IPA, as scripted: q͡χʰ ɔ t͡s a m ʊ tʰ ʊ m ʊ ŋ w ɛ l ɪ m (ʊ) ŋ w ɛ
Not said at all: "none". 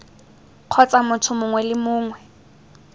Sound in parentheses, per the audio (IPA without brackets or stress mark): ʊː